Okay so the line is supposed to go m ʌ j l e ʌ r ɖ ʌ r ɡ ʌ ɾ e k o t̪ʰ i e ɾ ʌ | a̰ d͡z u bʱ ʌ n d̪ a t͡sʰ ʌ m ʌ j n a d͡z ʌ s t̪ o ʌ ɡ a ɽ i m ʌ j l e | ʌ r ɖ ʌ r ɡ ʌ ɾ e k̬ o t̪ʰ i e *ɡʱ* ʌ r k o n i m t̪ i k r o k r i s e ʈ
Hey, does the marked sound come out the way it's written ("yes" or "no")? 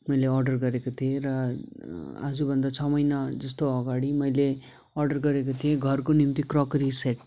yes